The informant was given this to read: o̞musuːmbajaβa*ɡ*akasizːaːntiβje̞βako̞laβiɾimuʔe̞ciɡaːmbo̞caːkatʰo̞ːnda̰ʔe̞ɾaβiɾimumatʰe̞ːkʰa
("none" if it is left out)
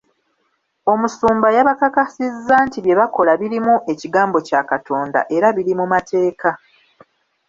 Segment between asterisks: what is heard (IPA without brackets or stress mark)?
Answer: k